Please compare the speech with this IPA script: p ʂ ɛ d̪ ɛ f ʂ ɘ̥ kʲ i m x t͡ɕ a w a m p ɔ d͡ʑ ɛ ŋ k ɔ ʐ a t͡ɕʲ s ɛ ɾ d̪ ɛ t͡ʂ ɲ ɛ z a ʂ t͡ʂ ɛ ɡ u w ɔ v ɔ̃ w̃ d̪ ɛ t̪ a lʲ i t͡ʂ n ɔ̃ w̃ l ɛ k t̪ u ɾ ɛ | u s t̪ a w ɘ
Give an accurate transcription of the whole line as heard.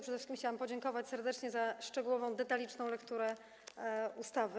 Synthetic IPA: p ʂ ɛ d̪ ɛ f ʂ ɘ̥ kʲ i m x t͡ɕ a w a m p ɔ d͡ʑ ɛ ŋ k ɔ v a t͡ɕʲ s ɛ ɾ d̪ ɛ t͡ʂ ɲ ɛ z a ʂ t͡ʂ ɛ ɡ u w ɔ v ɔ̃ w̃ d̪ ɛ t̪ a lʲ i t͡ʂ n ɔ̃ w̃ l ɛ k t̪ u ɾ ɛ | u s t̪ a v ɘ